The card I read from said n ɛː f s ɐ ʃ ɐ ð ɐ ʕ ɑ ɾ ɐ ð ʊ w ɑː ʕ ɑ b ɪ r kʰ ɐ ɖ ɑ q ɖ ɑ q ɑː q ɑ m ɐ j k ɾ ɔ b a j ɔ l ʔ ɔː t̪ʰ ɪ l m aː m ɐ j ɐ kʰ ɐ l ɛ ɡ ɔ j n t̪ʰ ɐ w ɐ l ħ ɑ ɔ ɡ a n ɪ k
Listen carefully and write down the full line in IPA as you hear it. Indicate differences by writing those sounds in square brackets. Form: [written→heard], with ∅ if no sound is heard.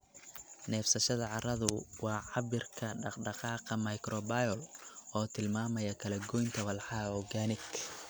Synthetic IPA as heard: n ɛː f s ɐ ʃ ɐ ð ɐ ʕ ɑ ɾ ɐ ð ʊ w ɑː ʕ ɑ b ɪ r kʰ ɐ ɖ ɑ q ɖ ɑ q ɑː q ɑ m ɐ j k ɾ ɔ b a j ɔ l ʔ ɔː t̪ʰ ɪ l m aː m ɐ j ɐ kʰ ɐ l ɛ ɡ ɔ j n t̪ʰ ɐ w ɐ l ħ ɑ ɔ ɡ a n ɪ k

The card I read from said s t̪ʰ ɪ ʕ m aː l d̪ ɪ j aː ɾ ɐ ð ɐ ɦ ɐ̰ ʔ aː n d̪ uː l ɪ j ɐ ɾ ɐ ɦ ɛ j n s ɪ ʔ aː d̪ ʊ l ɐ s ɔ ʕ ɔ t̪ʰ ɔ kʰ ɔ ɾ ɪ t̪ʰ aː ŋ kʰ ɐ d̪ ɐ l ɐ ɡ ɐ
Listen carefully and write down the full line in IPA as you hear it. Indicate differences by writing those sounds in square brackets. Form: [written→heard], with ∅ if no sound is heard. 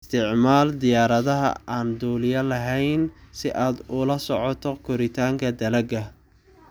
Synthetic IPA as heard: s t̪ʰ ɪ ʕ m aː l d̪ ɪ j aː ɾ ɐ ð ɐ ɦ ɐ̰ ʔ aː n d̪ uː l ɪ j ɐ [ɾ→l] ɐ ɦ ɛ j n s ɪ ʔ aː d̪ ʊ l ɐ s ɔ ʕ ɔ t̪ʰ ɔ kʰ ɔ ɾ ɪ t̪ʰ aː ŋ kʰ ɐ d̪ ɐ l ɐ ɡ ɐ

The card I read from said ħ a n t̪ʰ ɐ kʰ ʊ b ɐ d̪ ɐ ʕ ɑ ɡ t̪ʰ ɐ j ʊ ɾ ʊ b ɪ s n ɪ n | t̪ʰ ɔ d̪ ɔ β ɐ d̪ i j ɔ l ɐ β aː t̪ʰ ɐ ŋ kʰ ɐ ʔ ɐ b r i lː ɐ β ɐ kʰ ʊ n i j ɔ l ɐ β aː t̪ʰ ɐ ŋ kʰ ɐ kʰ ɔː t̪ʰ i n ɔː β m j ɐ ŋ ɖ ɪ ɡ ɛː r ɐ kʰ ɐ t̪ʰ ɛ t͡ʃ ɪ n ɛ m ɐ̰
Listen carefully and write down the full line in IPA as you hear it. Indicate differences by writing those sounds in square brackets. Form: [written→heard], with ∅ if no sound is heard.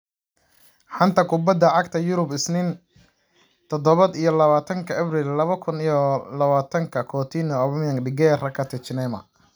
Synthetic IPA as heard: ħ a n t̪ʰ ɐ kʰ ʊ b ɐ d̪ ɐ ʕ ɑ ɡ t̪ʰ ɐ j ʊ ɾ ʊ b ɪ s n ɪ n | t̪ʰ ɔ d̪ ɔ β ɐ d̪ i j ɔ l ɐ β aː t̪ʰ ɐ ŋ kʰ ɐ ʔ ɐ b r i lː ɐ β ɐ kʰ ʊ n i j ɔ l ɐ β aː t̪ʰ ɐ ŋ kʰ ɐ kʰ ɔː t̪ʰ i n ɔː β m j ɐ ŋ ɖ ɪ ɡ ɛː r ɐ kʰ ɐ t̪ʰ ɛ t͡ʃ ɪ n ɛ m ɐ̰

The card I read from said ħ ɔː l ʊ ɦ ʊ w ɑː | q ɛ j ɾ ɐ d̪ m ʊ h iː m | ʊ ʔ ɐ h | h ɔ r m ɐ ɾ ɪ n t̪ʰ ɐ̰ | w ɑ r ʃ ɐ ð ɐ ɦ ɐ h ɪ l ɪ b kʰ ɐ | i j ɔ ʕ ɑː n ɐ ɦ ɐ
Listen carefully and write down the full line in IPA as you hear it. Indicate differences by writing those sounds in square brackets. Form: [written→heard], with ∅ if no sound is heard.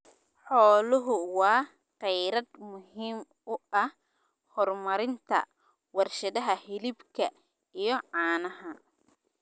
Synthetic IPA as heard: ħ ɔː l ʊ ɦ ʊ w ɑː | q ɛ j ɾ ɐ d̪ m ʊ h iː m | ʊ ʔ ɐ h | h ɔ r m ɐ ɾ ɪ n t̪ʰ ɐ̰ | w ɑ r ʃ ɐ ð ɐ ɦ ɐ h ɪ l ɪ b kʰ ɐ | i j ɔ ʕ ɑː n ɐ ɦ ɐ

